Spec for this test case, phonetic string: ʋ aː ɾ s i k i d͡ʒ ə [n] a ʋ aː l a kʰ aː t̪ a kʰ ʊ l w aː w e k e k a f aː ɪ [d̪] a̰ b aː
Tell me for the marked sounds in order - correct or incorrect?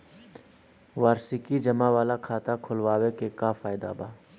incorrect, correct

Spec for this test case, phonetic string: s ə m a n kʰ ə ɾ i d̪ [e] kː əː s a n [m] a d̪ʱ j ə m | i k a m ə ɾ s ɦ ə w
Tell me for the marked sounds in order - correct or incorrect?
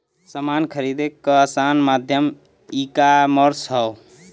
correct, correct

